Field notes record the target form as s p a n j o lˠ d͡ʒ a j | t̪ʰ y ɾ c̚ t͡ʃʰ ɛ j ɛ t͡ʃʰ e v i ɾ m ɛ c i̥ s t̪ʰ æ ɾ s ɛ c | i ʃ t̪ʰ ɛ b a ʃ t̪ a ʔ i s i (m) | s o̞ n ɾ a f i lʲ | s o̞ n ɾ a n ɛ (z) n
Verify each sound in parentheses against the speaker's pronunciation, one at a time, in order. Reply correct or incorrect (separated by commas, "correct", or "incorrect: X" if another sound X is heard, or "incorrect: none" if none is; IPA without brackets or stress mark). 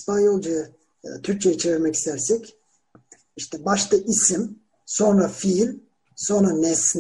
correct, incorrect: s